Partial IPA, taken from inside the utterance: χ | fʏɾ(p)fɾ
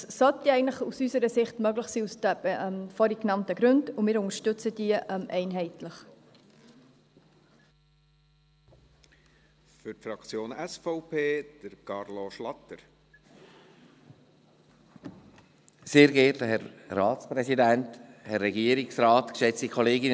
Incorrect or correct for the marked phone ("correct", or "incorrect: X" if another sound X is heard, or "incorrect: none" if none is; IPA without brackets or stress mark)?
incorrect: t